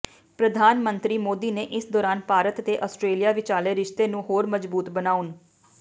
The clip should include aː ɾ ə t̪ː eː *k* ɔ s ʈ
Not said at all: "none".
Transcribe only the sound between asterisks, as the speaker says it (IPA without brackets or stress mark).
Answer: ʔ